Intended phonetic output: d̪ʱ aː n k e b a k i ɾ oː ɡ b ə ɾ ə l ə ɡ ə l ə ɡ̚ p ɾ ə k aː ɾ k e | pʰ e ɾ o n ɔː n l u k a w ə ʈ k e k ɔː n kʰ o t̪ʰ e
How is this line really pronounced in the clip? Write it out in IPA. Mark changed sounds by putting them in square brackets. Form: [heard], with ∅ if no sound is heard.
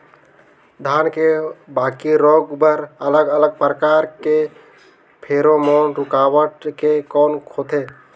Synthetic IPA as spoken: d̪ʱ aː n k e b a k i ɾ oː ɡ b ə ɾ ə l ə ɡ ə l ə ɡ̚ p ɾ ə k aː ɾ k e | pʰ e ɾ o [m] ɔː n [ɾ] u k a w ə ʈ k e k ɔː n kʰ o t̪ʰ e